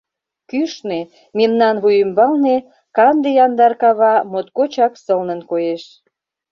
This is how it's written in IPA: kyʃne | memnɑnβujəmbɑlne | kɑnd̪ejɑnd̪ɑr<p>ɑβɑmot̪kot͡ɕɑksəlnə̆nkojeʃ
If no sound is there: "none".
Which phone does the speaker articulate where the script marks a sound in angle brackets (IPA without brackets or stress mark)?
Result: k